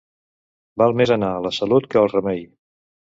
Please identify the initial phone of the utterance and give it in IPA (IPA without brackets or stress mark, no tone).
b